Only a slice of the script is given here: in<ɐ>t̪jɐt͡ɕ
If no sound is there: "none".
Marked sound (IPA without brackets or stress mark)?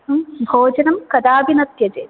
ɐ